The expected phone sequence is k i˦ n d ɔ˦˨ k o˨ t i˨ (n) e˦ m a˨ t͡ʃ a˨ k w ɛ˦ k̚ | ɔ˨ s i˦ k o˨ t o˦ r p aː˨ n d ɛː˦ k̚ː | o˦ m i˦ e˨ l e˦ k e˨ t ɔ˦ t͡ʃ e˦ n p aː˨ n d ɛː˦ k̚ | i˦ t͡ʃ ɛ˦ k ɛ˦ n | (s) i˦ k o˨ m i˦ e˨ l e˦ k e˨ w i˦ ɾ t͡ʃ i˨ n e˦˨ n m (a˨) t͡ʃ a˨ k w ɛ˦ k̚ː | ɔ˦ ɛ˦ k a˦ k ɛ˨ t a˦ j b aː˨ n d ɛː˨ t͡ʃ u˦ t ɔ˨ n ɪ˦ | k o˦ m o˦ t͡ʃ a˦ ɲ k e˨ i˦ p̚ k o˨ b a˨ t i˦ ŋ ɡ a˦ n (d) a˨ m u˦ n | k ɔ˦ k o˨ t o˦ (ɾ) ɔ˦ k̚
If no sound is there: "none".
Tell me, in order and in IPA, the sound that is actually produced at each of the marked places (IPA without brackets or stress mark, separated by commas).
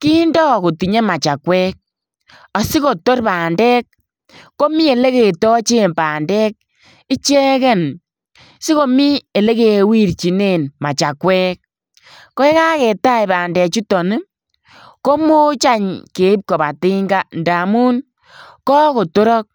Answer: ɲ, s, a˨, d, ɾ